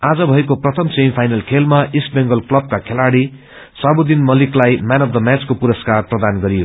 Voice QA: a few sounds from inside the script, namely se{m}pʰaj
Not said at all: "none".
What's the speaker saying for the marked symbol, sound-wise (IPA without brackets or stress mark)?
m